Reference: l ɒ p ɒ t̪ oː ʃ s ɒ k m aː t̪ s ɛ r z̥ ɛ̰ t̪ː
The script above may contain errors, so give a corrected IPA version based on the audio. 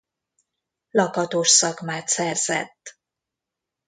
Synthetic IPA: l ɒ k ɒ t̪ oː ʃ s ɒ k m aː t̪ s ɛ r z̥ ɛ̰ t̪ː